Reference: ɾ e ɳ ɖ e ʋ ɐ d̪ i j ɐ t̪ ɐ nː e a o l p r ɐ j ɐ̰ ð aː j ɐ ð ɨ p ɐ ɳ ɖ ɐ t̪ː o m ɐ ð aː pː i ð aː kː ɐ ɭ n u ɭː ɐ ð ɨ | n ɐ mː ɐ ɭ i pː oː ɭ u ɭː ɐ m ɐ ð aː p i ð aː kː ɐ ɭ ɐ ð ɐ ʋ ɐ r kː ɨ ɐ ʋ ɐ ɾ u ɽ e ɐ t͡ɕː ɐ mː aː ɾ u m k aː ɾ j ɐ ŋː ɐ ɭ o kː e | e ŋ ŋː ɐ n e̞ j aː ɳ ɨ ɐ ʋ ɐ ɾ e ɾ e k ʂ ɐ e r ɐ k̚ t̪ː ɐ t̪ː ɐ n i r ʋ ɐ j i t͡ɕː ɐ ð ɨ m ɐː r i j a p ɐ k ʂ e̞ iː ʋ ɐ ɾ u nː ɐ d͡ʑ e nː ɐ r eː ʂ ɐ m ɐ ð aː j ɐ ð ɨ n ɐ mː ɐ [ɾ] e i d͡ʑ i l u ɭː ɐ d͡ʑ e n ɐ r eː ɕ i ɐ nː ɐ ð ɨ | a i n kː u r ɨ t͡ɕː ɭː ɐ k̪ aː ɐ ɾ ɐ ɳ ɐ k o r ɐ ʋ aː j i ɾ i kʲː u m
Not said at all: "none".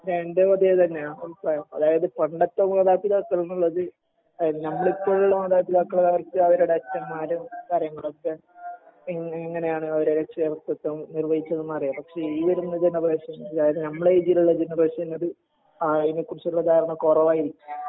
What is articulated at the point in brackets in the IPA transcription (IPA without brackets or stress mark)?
ɭ